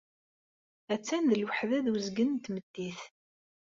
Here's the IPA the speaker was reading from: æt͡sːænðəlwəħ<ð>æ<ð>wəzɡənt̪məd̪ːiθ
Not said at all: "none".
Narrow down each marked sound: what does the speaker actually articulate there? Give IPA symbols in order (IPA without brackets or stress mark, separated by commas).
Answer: ð, ð